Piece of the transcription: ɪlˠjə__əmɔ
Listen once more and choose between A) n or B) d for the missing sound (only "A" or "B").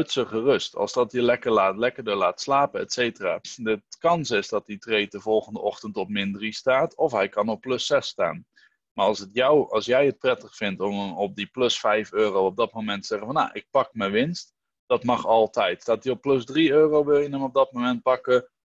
A